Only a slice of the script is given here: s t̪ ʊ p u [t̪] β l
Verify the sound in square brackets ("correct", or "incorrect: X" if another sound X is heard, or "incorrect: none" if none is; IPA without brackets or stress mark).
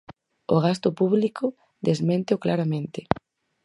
incorrect: none